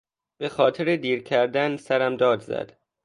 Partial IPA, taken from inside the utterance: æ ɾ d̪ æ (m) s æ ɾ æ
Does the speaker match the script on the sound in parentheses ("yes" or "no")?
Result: no